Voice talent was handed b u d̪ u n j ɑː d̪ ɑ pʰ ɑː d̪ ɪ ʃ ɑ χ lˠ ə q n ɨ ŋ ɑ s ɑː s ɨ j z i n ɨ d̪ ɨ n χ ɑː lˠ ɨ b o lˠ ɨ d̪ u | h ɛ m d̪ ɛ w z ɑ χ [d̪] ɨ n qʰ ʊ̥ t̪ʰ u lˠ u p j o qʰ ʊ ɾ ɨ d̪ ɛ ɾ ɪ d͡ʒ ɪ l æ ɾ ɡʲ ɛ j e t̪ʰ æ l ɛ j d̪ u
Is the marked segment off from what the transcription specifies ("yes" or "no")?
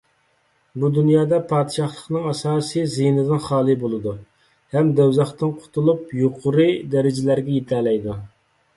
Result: yes